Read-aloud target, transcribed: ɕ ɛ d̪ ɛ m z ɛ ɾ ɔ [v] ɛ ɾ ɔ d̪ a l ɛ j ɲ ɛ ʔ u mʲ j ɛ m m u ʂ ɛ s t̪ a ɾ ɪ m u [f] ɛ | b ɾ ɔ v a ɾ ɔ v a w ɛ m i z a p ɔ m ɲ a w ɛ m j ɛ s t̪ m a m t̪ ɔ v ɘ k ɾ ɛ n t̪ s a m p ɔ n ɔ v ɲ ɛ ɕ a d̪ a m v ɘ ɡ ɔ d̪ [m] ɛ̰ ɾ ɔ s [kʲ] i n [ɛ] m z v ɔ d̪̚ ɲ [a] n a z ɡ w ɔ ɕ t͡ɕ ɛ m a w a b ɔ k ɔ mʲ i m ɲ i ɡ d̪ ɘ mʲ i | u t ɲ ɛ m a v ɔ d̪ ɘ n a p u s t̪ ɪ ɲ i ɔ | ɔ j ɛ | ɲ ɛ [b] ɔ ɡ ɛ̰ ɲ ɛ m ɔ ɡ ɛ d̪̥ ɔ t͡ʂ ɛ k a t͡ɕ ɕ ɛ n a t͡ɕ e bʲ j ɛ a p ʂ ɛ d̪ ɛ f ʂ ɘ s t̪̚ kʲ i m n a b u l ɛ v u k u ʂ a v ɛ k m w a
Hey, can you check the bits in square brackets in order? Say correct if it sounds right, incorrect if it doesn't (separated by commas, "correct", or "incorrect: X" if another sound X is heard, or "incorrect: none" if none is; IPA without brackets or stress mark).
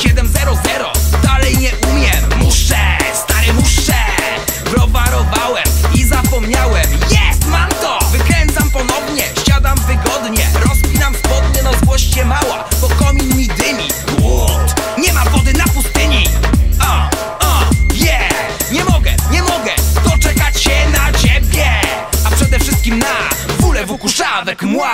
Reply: incorrect: z, incorrect: ʂ, incorrect: ɲ, incorrect: pʲ, incorrect: a, incorrect: ɛ, incorrect: m